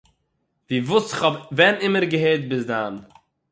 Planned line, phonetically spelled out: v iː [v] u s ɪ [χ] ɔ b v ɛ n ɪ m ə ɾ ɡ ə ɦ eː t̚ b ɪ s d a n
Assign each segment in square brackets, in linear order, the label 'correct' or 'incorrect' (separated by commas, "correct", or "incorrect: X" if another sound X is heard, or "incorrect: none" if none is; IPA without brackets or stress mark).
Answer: correct, correct